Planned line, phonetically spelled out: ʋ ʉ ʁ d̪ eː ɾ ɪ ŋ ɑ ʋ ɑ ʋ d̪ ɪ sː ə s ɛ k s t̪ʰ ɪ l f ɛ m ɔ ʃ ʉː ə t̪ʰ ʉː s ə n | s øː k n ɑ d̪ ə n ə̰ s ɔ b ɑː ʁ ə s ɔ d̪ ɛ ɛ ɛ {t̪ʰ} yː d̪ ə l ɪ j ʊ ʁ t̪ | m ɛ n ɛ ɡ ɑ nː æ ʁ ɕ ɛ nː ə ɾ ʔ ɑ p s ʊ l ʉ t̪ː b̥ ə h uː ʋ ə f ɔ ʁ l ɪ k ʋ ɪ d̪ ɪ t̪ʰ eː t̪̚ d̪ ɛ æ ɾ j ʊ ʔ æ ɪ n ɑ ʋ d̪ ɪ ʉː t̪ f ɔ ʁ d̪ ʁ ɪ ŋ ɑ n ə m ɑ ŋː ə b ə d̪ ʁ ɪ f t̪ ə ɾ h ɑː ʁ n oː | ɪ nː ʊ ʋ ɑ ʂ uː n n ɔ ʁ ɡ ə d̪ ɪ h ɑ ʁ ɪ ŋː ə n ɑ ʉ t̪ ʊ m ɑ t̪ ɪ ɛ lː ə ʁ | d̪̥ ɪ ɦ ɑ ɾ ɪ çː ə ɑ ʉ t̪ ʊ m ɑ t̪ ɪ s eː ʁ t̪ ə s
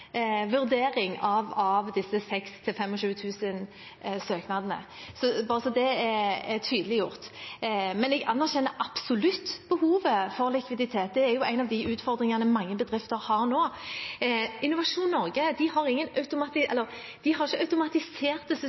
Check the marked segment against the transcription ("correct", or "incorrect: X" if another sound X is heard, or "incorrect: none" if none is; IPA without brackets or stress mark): correct